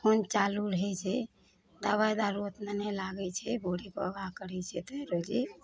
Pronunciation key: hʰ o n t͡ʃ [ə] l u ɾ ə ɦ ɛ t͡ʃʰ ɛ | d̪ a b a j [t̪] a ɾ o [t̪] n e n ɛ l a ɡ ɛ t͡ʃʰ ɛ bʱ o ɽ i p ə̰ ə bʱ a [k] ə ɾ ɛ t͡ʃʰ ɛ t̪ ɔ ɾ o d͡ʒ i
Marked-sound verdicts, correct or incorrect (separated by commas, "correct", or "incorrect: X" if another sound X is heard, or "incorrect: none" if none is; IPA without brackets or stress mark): incorrect: a, incorrect: d̪, correct, correct